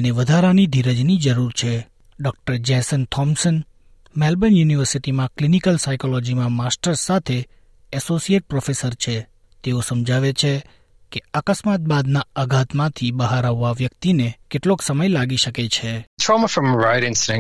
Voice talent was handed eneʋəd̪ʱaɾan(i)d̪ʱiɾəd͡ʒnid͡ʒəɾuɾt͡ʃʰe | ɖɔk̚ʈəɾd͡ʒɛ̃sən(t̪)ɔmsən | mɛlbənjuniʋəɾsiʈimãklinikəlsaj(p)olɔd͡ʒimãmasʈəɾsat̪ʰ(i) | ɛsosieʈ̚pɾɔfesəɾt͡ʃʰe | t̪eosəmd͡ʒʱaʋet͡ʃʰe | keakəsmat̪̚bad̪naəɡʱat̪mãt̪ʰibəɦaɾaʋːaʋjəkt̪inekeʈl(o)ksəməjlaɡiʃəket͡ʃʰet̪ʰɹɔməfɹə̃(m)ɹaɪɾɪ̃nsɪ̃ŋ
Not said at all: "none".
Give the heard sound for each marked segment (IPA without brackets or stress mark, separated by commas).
i, t̪ʰ, k, e, o, m